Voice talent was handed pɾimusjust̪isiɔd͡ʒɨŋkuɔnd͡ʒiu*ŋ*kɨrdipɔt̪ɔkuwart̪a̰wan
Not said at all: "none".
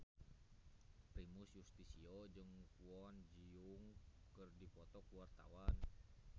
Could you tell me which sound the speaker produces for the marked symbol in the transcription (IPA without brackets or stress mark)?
ŋ